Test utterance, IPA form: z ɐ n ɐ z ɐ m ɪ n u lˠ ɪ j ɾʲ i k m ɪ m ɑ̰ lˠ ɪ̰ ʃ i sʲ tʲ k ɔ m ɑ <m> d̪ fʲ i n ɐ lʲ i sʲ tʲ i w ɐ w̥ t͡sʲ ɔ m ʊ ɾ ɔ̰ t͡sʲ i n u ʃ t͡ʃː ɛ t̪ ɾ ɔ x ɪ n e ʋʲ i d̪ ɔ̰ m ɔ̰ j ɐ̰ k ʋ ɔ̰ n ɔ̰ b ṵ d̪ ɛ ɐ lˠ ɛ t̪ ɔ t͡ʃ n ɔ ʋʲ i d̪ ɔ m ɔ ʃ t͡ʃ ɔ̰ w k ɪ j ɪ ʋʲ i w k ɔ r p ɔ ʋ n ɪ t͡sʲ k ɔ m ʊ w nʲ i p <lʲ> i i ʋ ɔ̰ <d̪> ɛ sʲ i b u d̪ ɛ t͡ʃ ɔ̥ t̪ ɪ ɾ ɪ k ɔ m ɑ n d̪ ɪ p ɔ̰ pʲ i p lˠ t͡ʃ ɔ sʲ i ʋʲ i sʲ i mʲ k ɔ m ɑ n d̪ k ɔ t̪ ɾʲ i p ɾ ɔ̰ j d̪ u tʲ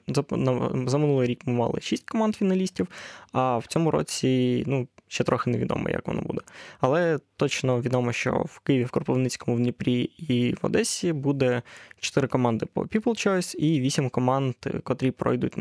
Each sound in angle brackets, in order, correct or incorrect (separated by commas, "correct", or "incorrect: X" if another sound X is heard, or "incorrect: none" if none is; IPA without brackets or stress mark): incorrect: n, incorrect: ɾʲ, correct